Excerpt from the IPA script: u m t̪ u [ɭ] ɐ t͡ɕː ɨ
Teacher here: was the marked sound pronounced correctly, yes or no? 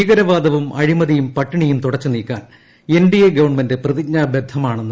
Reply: no